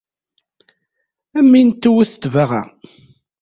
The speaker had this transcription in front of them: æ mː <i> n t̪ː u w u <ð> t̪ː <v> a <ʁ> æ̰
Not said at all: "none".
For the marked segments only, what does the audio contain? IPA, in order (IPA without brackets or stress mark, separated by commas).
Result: i, θ, v, ʁ